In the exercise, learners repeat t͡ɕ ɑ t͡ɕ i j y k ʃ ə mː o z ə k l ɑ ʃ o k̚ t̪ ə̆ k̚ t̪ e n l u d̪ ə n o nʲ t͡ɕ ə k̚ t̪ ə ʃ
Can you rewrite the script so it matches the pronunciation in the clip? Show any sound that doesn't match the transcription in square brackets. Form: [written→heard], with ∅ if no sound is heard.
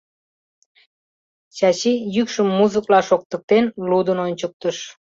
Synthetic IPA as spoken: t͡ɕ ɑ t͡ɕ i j y k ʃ ə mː [o→u] z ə k l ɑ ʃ o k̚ t̪ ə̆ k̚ t̪ e n l u d̪ ə n o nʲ t͡ɕ ə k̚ t̪ ə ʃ